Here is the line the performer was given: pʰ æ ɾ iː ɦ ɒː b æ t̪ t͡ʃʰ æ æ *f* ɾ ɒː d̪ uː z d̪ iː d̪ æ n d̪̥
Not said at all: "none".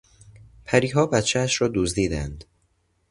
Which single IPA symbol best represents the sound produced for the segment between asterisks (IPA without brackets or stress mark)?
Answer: ʃ